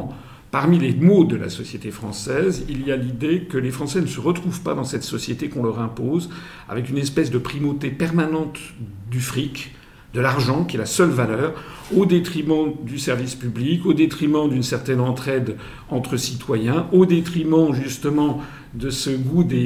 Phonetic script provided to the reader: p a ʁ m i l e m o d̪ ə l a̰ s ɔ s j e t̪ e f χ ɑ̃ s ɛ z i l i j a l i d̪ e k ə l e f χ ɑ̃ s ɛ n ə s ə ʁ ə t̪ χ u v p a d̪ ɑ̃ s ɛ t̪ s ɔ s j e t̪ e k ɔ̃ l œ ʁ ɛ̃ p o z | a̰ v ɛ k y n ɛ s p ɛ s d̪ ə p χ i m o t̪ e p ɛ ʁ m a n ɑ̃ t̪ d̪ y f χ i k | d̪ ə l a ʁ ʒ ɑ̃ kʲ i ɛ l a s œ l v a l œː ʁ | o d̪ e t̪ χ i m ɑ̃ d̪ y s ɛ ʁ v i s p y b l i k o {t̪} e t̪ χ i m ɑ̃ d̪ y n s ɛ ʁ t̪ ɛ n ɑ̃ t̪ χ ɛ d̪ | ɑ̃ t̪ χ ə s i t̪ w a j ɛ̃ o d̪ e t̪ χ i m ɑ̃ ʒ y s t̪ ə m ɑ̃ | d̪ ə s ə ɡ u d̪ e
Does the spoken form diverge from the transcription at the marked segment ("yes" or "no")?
yes